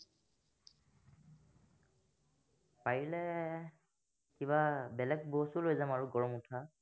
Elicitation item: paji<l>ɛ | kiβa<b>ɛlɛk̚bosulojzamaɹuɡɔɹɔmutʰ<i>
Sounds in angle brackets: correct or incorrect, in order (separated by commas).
correct, correct, incorrect